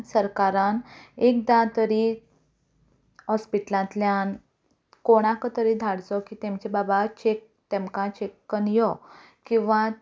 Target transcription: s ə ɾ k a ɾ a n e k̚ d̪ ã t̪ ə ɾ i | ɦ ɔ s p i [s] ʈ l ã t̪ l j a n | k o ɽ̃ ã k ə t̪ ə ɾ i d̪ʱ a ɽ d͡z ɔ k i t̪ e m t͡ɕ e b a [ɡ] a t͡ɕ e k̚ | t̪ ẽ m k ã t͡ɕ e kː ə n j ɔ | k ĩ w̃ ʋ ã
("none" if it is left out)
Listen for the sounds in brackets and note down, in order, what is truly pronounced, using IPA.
none, b

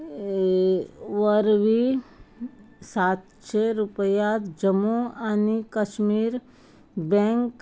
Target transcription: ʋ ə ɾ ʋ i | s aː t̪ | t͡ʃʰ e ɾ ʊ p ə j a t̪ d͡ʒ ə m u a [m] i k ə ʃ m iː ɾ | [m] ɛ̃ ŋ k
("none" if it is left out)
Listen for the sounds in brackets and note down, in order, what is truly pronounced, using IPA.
n, b

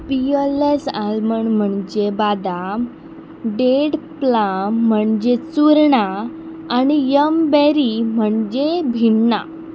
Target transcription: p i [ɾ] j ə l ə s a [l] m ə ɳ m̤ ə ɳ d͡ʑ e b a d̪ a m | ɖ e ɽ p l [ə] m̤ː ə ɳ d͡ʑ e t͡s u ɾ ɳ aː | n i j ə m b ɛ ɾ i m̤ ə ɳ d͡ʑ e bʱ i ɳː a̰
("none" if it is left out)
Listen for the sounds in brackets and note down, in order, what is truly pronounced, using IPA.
none, l, a

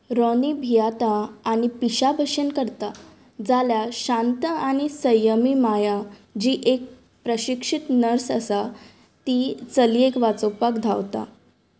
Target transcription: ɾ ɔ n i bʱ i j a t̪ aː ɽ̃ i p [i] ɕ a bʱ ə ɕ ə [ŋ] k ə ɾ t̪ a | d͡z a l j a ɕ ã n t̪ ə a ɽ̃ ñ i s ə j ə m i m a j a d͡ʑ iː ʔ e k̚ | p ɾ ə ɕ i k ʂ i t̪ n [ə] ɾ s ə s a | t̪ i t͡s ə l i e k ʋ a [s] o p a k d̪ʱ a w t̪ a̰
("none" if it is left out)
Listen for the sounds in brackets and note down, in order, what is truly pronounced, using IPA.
i, n, ə, t͡s

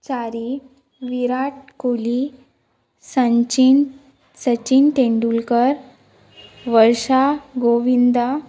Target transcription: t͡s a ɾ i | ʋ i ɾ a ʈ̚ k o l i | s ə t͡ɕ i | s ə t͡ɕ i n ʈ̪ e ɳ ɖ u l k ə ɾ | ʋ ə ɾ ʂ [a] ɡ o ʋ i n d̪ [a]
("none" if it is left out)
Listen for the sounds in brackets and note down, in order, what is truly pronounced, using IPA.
a, a

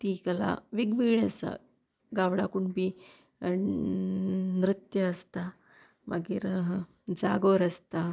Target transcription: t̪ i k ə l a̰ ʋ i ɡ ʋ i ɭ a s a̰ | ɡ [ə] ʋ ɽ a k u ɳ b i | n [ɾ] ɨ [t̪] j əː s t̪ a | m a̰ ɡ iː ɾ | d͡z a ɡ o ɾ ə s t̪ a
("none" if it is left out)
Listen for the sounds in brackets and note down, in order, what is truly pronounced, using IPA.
a, ɾ, t̪

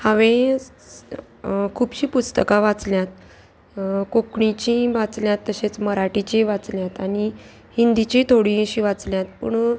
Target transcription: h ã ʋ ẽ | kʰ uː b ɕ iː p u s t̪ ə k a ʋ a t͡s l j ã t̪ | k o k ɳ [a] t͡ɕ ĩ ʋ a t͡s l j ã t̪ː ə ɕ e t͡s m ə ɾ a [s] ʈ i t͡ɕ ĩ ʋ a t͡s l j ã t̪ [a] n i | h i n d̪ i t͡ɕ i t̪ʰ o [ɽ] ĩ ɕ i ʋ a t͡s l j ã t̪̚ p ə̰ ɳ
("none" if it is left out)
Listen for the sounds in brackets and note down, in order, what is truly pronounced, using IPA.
i, none, a, ɽ

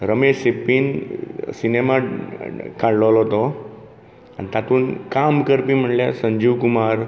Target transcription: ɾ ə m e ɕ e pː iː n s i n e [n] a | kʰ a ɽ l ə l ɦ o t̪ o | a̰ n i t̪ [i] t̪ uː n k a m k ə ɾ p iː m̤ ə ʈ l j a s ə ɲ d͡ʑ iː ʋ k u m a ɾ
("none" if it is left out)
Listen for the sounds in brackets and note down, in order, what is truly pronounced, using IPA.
m, a

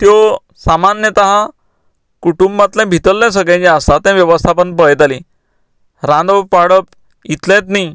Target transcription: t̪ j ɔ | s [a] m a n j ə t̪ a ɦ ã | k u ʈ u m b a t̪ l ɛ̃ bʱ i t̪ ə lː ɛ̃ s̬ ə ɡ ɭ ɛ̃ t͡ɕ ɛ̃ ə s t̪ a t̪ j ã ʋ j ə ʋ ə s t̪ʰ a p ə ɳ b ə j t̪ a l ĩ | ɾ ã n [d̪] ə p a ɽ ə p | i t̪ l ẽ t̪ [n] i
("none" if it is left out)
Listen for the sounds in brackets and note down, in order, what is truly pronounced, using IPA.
a, d̪, n

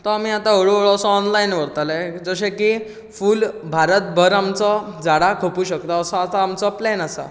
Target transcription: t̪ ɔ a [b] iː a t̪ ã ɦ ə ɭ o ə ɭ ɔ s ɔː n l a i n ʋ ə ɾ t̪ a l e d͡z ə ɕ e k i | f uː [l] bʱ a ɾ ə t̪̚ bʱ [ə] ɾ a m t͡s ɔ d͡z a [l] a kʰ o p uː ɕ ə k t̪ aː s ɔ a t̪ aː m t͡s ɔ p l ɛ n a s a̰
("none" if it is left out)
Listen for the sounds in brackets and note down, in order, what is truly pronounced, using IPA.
m, l, ə, ɽ

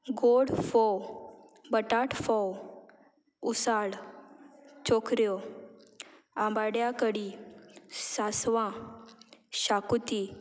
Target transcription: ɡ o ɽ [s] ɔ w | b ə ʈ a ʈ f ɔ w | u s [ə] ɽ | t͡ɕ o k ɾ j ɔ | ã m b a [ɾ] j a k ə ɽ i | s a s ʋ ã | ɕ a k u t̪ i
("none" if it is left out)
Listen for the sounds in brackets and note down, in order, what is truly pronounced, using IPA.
f, a, ɽ

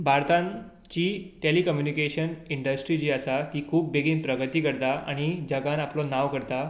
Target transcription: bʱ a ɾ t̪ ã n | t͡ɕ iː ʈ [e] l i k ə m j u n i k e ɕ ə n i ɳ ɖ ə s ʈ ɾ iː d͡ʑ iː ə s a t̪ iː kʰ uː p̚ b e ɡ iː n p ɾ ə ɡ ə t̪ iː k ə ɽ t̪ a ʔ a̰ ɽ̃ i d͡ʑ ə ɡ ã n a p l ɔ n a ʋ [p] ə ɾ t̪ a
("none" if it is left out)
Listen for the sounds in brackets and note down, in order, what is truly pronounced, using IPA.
e, k

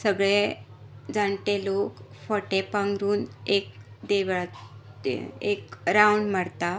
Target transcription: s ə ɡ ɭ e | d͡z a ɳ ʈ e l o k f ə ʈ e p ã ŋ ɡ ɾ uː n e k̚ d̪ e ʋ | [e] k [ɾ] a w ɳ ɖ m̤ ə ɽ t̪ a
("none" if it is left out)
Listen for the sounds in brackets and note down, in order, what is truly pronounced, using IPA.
e, ɾ

